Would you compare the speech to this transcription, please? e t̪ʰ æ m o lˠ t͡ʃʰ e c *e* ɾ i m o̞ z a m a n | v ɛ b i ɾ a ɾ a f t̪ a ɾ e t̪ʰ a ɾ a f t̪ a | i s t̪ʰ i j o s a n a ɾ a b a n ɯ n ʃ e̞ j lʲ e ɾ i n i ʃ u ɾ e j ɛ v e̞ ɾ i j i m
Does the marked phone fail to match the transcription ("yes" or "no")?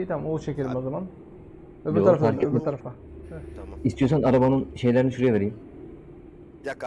no